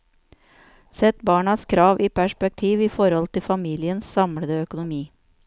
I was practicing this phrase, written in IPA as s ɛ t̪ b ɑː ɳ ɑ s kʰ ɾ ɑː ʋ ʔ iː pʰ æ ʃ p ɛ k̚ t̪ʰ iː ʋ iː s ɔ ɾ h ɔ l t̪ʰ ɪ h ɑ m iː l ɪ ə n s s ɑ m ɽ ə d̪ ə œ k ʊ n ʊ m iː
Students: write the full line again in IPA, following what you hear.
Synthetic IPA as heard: s ɛ t̪ b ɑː ɳ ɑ s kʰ ɾ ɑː ʋ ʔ iː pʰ æ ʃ p ɛ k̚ t̪ʰ iː ʋ iː f ɔ ɾ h ɔ l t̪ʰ ɪ f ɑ m iː l ɪ ə n s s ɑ m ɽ ə d̪ ə œ k ʊ n ʊ m iː